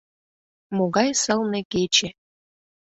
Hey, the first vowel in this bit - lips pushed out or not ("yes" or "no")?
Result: yes